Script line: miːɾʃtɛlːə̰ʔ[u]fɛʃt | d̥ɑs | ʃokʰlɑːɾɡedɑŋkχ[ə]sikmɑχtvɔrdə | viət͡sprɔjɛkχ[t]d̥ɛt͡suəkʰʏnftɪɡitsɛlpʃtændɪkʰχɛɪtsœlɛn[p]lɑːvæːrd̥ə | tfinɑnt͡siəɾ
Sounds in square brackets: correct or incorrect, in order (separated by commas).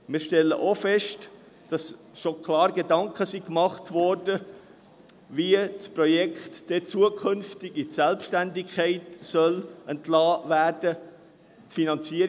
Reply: incorrect, correct, correct, incorrect